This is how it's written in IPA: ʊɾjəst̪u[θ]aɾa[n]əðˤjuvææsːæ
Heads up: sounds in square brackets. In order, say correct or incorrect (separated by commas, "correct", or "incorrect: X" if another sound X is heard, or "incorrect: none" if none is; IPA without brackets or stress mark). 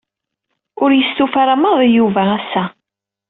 incorrect: f, incorrect: m